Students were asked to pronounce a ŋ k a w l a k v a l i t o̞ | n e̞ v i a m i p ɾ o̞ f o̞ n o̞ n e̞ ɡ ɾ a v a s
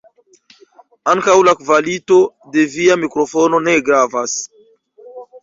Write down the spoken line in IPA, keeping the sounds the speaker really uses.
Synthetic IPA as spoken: a ŋ k a w l a k v a l i t o̞ | d e̞ v i a m i k ɾ o̞ f o̞ n o̞ n e̞ ɡ ɾ a v a s